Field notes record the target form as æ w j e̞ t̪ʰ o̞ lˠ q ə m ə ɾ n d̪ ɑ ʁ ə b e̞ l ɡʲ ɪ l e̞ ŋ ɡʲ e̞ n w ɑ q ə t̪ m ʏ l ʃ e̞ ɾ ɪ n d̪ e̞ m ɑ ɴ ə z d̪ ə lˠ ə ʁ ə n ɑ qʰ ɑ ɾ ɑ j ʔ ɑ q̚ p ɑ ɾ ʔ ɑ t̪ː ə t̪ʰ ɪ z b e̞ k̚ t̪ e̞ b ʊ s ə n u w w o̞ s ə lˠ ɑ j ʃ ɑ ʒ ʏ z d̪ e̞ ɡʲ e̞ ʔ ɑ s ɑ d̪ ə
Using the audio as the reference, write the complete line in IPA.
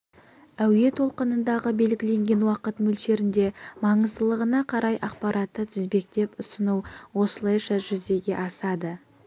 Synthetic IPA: æ w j e̞ t̪ʰ o̞ lˠ q ə n ə n d̪ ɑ ʁ ə b e̞ l ɡʲ ɪ l e̞ ŋ ɡʲ e̞ n w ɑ q ə t̪ m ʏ l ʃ e̞ ɾ ɪ n d̪ e̞ m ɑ ɴ ə z d̪ ə lˠ ə ʁ ə n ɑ qʰ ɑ ɾ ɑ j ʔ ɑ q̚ p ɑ ɾ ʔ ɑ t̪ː ə t̪ʰ ɪ z b e̞ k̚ t̪ e̞ p ʊ s ə n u w w o̞ s ə lˠ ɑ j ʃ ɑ ʒ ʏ z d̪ e̞ ɡʲ e̞ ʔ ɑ s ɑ d̪ ə